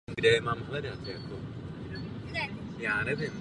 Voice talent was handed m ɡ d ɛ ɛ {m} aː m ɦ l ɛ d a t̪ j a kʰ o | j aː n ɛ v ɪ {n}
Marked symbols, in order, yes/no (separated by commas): yes, no